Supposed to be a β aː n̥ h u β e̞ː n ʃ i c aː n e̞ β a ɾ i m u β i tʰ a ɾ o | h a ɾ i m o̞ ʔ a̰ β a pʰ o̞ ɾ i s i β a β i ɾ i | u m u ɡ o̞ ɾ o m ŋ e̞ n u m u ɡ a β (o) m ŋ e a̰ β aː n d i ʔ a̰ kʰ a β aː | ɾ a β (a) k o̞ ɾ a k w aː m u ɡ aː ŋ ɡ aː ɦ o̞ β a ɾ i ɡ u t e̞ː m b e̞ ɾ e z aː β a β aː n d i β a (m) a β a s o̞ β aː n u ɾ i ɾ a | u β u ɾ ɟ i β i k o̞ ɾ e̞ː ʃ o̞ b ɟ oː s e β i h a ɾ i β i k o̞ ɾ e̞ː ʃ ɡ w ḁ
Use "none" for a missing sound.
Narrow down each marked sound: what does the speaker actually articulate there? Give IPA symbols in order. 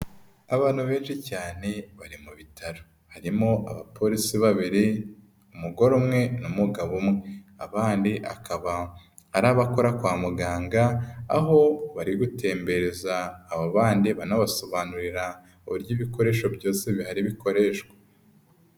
u, a, n

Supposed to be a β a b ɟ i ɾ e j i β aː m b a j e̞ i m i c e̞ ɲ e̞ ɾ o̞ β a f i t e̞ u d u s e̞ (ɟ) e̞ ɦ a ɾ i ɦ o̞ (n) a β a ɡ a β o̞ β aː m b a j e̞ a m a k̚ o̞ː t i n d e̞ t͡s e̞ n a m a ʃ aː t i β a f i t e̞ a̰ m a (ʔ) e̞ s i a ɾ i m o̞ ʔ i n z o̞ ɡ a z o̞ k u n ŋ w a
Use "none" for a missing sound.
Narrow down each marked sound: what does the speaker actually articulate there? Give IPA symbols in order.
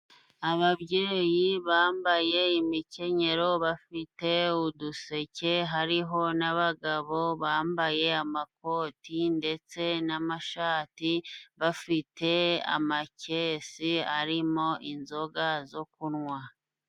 c, n, c

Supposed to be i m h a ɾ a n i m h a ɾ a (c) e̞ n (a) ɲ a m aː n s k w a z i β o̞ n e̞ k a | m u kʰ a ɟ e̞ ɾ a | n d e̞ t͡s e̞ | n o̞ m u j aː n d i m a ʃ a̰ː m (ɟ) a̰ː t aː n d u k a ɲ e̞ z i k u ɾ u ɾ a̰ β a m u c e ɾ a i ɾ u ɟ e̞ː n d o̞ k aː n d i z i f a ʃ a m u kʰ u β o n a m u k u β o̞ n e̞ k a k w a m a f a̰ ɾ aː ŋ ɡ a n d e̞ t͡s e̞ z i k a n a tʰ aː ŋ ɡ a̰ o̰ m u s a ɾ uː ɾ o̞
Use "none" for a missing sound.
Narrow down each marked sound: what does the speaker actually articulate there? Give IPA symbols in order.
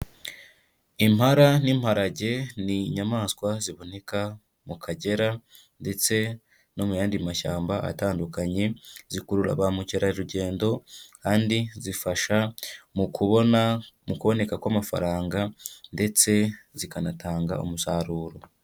ɟ, i, b

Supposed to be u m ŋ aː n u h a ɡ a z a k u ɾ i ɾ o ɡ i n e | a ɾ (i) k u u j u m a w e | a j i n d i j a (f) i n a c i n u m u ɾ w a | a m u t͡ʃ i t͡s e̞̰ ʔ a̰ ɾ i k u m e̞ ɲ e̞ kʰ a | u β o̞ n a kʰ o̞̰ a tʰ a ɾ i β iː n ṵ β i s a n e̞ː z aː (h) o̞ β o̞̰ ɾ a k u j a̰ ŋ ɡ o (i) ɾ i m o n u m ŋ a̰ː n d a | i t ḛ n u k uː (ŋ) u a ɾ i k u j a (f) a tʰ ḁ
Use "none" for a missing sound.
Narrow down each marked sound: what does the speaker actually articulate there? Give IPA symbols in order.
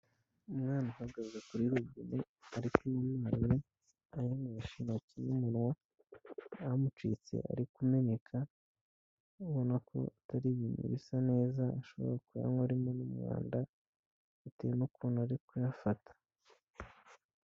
i, ʃ, ʃ, a, n, f

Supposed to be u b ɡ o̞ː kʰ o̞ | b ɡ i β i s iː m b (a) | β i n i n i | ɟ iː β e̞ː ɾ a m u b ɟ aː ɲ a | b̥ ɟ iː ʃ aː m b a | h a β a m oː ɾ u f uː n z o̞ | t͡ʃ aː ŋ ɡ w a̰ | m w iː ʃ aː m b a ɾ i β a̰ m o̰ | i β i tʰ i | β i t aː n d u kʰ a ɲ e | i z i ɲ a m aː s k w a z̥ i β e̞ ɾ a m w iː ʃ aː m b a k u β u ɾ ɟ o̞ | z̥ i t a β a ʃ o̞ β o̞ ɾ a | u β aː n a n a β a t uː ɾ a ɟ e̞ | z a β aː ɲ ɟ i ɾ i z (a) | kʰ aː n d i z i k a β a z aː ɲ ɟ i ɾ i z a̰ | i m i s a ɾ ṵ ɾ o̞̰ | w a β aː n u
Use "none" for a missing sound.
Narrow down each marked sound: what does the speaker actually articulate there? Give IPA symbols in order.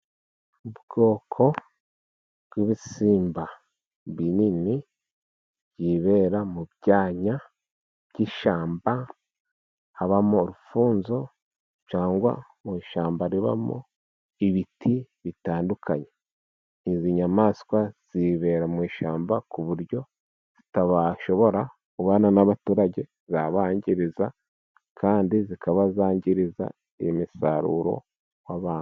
a, a

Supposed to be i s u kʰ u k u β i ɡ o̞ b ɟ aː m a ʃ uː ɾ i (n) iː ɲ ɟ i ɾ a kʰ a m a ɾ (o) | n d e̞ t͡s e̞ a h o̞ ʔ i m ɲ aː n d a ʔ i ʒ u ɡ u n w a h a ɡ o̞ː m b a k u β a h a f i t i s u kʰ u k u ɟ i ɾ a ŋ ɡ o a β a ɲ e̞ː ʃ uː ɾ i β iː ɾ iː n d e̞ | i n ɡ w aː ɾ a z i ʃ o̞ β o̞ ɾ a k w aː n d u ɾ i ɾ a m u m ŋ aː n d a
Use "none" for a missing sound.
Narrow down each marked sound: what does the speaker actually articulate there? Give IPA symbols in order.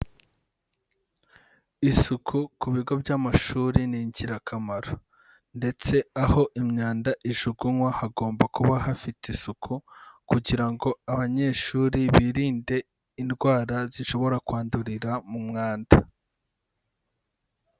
n, o

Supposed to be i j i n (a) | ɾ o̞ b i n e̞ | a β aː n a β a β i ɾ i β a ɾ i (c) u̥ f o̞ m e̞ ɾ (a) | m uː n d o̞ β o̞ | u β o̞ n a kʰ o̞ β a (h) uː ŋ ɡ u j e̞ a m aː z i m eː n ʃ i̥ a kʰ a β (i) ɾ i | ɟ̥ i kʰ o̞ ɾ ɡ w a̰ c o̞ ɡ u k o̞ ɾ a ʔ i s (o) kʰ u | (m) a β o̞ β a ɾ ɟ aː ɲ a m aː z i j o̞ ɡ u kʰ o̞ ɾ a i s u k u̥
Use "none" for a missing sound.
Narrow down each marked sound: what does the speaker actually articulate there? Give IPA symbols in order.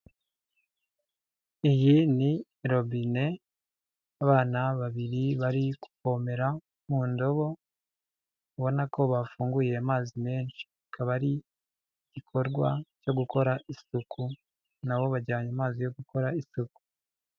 i, k, a, f, a, u, n

